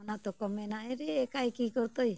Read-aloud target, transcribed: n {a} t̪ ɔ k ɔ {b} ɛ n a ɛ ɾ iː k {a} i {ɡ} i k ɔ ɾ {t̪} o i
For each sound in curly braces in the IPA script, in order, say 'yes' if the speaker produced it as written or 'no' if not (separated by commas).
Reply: yes, no, yes, no, yes